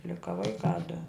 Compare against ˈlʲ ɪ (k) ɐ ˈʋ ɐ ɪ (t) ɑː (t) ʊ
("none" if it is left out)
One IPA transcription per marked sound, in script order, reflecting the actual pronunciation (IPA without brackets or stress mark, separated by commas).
k, k, d